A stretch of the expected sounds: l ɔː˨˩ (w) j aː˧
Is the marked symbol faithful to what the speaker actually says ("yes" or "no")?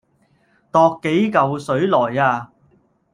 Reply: no